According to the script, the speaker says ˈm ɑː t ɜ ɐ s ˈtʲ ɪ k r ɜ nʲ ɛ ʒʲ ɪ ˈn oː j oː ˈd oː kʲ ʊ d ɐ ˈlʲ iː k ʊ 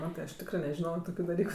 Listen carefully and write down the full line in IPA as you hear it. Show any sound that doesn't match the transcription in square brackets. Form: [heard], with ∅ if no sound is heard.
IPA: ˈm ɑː t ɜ ɐ [ʃ] ˈtʲ ɪ k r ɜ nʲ ɛ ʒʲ ɪ ˈn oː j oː [ˈt] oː kʲ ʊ d ɐ ˈlʲ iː k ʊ